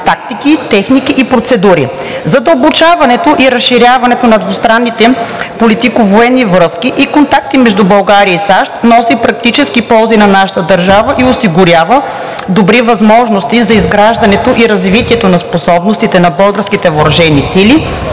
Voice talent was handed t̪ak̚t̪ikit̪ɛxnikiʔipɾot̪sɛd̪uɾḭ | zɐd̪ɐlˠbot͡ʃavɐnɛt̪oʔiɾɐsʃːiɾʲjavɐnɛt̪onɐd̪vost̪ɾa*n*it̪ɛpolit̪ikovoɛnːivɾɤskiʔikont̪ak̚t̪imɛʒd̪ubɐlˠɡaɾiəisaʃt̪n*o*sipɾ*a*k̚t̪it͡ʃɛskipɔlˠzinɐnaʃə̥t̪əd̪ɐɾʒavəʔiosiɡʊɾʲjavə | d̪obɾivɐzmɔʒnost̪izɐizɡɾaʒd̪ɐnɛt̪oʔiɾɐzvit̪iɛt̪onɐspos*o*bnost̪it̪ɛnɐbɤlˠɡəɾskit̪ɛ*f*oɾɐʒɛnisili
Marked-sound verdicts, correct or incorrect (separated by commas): incorrect, incorrect, incorrect, incorrect, incorrect